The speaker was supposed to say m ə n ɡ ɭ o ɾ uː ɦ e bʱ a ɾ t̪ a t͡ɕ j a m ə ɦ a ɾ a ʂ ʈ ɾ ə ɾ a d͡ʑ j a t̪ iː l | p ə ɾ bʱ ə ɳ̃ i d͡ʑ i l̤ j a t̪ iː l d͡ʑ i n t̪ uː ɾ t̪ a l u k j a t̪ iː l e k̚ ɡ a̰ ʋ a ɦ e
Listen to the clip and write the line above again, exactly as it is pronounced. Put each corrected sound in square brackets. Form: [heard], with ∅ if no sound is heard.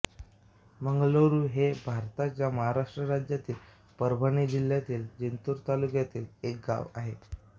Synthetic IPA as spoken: m ə [ŋ] ɡ [l] o ɾ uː ɦ e bʱ a ɾ t̪ a t͡ɕ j a m ə ɦ a ɾ a ʂ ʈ ɾ ə ɾ a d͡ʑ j a t̪ iː l | p ə ɾ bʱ ə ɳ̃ i d͡ʑ i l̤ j a t̪ iː l d͡ʑ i n t̪ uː ɾ t̪ a l u k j a t̪ iː l e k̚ ɡ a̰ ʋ a ɦ e